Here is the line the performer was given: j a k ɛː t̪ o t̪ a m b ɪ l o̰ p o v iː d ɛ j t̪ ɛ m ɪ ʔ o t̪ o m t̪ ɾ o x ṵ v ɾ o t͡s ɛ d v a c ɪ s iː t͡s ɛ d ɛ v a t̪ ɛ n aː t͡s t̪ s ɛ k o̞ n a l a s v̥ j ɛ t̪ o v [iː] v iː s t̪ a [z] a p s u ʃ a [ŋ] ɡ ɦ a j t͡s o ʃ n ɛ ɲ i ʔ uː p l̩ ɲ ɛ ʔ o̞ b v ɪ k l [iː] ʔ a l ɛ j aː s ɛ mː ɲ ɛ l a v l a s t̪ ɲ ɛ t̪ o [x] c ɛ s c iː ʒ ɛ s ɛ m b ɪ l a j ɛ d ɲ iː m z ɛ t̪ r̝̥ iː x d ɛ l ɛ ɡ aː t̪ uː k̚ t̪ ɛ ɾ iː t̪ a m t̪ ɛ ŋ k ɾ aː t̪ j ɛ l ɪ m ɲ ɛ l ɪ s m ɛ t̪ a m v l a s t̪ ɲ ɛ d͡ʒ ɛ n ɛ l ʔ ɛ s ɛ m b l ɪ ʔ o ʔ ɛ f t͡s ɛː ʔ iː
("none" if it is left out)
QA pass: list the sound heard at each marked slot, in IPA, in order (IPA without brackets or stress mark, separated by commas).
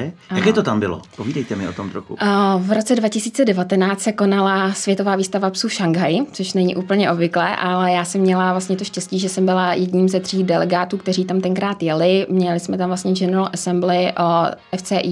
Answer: aː, v, ŋ, ɛː, ʃ